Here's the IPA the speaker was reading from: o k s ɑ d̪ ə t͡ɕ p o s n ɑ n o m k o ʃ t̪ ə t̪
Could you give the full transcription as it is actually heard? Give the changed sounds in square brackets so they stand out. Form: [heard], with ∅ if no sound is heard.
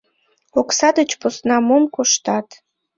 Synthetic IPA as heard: o k s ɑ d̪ ə t͡ɕ p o s n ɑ [m] o m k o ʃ t̪ [ɑ] t̪

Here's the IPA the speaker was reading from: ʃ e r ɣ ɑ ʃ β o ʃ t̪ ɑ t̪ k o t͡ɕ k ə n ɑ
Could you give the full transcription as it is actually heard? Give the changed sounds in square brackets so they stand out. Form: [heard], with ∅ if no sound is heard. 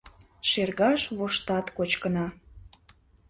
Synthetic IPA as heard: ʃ e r ɣ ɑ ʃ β o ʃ t̪ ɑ t̪ k o t͡ɕ k ə n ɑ

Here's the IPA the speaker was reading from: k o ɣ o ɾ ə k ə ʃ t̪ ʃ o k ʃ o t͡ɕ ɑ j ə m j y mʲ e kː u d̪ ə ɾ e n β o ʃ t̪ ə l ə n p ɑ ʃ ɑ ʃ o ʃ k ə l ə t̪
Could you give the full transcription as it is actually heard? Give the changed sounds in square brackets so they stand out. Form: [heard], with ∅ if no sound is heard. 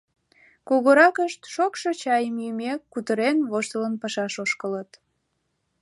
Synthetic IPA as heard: k o ɣ o ɾ [ɑ] k ə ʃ t̪ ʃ o k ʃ o t͡ɕ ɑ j ə m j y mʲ e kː u [t̪] ə ɾ e n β o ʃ t̪ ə l ə n p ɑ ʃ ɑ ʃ o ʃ k ə l ə t̪

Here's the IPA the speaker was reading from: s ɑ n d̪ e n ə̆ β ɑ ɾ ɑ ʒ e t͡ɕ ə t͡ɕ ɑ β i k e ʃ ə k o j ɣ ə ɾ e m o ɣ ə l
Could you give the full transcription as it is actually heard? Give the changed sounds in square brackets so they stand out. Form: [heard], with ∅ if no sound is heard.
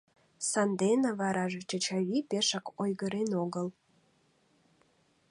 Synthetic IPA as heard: s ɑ n d̪ e n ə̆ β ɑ ɾ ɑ ʒ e t͡ɕ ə t͡ɕ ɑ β i [p] e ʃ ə k o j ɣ ə ɾ e [n] o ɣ ə l

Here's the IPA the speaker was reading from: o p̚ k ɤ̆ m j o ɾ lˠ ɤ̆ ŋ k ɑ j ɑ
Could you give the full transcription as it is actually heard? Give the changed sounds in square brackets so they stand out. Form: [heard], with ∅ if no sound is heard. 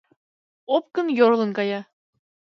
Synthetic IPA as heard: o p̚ k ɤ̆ [n] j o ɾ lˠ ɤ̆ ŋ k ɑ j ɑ

